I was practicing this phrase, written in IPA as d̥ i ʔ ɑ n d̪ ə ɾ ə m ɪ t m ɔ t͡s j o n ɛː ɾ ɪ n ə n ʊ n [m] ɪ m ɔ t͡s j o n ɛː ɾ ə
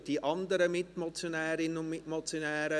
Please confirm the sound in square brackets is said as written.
yes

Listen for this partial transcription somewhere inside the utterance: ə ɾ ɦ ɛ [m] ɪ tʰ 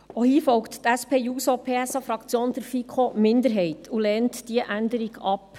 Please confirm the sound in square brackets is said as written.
no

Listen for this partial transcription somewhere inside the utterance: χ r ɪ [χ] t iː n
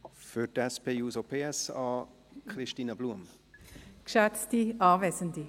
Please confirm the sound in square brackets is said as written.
no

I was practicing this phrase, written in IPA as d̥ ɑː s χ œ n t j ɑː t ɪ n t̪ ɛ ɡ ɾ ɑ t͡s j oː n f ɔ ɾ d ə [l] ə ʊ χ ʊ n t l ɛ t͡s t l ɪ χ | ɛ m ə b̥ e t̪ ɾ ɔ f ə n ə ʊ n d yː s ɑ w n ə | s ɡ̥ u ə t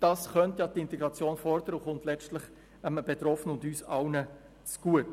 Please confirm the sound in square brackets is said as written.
no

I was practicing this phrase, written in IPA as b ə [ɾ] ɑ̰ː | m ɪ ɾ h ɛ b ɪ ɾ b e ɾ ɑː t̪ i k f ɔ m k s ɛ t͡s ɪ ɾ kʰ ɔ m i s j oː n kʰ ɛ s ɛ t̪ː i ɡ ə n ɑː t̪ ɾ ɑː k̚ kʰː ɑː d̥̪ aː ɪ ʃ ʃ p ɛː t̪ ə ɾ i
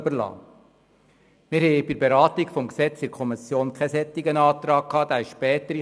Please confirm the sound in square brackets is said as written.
no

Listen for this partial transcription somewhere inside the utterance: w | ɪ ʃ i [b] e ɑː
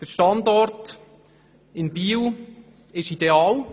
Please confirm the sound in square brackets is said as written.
no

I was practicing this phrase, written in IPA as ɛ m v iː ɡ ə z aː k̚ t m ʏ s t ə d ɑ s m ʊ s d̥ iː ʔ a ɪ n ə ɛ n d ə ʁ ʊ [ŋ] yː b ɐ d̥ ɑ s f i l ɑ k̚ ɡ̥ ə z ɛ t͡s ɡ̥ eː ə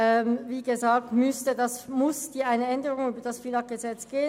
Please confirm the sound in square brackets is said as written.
yes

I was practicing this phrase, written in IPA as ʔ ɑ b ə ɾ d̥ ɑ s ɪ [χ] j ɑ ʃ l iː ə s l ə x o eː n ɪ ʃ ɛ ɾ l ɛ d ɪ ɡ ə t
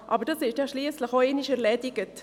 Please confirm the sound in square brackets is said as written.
no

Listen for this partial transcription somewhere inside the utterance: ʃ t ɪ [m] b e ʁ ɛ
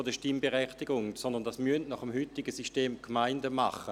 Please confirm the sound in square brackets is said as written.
yes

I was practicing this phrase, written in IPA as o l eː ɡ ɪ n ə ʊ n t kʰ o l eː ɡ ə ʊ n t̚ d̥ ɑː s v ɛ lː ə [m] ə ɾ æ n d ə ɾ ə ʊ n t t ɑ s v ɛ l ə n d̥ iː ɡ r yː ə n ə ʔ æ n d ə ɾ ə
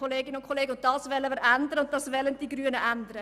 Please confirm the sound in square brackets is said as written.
yes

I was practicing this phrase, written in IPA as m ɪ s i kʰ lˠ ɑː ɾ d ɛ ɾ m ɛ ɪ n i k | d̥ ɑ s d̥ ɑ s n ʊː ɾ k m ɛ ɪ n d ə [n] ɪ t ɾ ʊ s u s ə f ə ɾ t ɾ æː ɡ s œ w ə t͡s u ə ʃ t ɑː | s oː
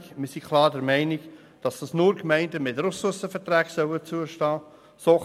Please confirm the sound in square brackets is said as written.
no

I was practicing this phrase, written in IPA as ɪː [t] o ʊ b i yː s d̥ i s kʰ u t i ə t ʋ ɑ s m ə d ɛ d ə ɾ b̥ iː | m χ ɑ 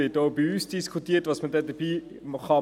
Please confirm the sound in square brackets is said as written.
yes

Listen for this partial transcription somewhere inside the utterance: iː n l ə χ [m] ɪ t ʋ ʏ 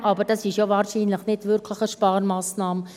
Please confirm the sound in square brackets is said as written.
no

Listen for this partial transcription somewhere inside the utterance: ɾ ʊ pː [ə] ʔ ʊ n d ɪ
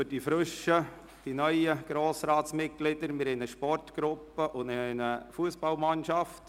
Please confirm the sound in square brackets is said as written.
yes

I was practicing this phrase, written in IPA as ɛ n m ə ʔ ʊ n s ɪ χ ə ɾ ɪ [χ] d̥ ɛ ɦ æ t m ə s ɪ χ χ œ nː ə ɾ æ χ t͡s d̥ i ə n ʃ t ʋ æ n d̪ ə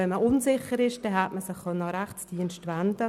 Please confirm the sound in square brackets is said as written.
no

